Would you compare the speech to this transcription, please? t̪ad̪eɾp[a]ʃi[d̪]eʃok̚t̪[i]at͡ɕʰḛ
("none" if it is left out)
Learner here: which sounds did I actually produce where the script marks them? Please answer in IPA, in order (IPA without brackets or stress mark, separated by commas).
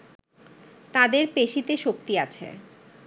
e, t̪, i